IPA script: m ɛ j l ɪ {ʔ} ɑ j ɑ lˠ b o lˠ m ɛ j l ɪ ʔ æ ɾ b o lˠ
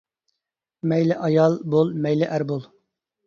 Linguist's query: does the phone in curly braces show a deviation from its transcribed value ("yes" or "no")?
no